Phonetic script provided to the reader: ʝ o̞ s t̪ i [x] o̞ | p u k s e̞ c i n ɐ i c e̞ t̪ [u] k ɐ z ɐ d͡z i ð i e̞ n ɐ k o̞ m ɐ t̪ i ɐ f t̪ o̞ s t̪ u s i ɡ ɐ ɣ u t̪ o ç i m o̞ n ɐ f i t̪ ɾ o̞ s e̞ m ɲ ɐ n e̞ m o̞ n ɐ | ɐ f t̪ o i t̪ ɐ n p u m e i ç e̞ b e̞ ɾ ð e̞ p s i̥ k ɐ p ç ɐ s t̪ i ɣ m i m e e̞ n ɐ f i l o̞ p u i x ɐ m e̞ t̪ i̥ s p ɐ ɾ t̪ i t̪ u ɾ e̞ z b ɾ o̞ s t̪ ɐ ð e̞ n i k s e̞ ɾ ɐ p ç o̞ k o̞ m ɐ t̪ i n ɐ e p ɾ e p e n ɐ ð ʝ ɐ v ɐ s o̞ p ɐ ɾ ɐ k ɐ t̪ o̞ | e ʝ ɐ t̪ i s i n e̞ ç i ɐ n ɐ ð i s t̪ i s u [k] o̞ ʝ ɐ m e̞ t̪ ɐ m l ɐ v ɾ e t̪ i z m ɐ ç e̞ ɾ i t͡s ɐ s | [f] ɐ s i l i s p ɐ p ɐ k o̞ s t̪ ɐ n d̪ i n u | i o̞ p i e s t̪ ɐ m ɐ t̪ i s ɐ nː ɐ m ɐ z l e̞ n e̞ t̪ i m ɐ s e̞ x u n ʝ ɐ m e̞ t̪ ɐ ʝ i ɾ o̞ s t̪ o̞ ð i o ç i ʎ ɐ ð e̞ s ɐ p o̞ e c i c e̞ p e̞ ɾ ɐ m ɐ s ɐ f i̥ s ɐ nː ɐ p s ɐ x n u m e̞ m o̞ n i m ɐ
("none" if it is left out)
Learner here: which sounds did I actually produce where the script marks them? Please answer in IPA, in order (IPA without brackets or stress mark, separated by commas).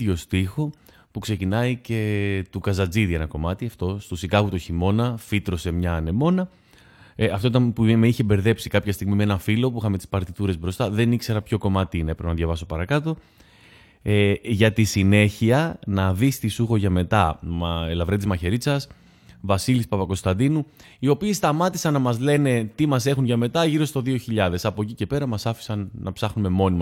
x, u, x, v